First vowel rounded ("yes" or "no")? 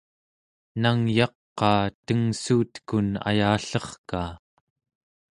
no